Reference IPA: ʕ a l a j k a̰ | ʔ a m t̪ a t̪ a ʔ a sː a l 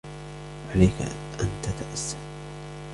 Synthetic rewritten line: ʕ a l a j k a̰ | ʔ a n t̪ a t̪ a ʔ a sː a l